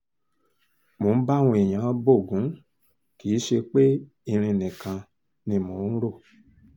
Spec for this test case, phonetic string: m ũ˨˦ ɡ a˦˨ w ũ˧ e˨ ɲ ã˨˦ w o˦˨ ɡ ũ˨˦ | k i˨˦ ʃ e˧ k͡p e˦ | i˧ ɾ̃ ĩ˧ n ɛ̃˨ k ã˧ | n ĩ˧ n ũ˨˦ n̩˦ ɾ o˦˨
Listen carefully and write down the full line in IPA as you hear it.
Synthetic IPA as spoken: m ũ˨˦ b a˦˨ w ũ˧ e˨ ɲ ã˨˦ b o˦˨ ɡ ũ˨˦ | k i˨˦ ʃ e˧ k͡p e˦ | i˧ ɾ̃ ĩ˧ n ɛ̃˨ k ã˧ | n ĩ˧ m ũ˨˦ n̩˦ ɾ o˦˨